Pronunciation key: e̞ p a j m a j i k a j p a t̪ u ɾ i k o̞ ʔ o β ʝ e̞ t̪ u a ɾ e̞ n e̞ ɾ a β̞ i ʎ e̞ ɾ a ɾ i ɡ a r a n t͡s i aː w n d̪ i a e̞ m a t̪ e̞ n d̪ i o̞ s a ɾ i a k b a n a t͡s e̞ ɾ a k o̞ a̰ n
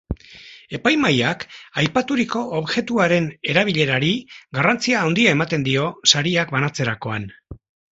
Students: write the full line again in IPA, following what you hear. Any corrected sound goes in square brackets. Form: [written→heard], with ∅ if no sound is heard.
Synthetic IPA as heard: e̞ p a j m a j [i→a] k a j p a t̪ u ɾ i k o̞ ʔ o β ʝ e̞ t̪ u a ɾ e̞ n e̞ ɾ a β̞ i ʎ e̞ ɾ a ɾ i ɡ a r a n t͡s i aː w n d̪ i a e̞ m a t̪ e̞ n d̪ i o̞ s a ɾ i a k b a n a t͡s e̞ ɾ a k o̞ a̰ n